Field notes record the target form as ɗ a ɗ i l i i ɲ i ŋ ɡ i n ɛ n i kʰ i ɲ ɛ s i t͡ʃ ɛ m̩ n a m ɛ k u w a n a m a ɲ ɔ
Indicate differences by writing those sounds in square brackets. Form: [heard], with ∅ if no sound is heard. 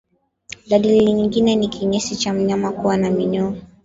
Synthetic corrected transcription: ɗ a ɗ i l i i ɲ i ŋ ɡ i n ɛ n i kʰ i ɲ ɛ s i t͡ʃ [a] m̩ [ɲ] a m [a] k u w a n a m [i] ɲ ɔ

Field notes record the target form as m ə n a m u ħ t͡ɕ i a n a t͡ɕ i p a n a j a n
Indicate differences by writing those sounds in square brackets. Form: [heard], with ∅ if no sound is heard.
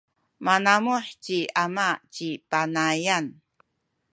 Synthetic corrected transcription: m [a] n a m u ħ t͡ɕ i a [m] a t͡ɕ i p a n a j a n

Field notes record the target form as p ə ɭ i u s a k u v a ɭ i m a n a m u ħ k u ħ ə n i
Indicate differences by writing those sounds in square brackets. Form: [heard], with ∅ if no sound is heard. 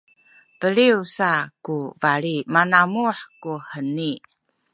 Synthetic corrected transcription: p ə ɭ i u s a k u v a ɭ i m a n a m u ħ k u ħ ə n i

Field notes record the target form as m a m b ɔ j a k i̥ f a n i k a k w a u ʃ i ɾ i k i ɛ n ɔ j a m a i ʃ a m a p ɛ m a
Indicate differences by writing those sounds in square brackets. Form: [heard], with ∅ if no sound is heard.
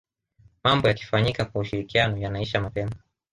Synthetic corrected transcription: m a m b ɔ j a k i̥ f a [ɲ] i k a k w a u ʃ i ɾ i k i [a] n ɔ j a [n] a i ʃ a m a p ɛ m a

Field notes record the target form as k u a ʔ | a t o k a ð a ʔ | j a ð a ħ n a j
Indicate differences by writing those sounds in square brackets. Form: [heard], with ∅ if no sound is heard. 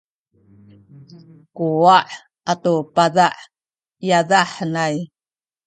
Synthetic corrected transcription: k u a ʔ | a t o [p] a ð a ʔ | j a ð a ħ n a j

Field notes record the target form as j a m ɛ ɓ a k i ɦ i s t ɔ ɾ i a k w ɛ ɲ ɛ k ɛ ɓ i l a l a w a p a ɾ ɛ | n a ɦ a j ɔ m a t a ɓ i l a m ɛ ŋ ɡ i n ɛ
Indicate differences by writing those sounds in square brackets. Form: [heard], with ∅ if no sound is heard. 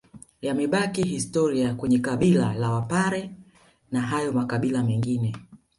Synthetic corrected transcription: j a m ɛ ɓ a k i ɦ i s t ɔ ɾ i a k w ɛ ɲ ɛ k [a] ɓ i l a l a w a p a ɾ ɛ | n a ɦ a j ɔ m a [k] a ɓ i l a m ɛ ŋ ɡ i n ɛ

